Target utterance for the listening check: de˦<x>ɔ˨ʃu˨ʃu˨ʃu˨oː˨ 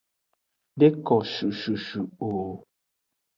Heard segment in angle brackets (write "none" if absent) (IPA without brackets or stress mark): k